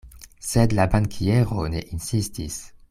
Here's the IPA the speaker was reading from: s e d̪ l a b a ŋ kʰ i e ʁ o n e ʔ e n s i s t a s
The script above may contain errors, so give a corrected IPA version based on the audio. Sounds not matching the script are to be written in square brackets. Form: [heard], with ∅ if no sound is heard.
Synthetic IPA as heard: s e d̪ l a b a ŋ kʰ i e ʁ o n e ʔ [i] n s i s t [i] s